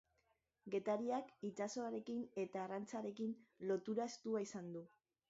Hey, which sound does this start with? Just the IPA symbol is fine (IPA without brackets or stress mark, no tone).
ɡ